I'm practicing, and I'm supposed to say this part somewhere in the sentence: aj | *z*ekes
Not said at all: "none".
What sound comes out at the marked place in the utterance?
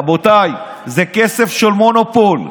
z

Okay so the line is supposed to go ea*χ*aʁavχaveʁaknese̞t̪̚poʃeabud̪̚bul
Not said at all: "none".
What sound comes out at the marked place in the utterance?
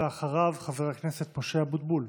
χ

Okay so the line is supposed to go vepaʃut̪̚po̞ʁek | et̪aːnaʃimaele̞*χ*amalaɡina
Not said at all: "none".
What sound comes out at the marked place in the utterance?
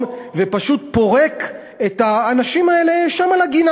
ʃ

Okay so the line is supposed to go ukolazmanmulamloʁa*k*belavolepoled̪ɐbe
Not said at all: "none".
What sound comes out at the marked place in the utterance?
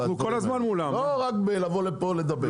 k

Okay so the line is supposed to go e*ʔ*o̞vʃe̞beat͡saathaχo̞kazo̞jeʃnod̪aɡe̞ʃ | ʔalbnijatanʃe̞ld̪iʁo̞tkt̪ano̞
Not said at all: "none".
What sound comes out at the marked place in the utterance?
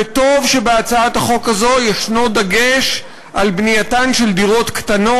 t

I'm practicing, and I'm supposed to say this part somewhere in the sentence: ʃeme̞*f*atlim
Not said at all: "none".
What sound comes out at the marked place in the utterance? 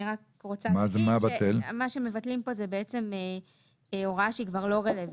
v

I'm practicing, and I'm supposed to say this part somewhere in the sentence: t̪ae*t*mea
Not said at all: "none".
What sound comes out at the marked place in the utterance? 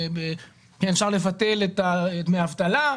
t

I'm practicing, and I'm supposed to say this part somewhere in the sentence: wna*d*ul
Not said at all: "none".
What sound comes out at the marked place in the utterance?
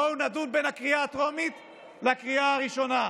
d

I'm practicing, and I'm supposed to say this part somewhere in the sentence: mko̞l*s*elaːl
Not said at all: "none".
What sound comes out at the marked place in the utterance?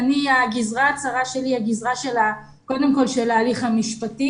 ʃ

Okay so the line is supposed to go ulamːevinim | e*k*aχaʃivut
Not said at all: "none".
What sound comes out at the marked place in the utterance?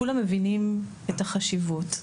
t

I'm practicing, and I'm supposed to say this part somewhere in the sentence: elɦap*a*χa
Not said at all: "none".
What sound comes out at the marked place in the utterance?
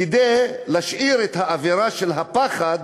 a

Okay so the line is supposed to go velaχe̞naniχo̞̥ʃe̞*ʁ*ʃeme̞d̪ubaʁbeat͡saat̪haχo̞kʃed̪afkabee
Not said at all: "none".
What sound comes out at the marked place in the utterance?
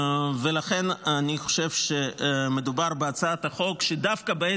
v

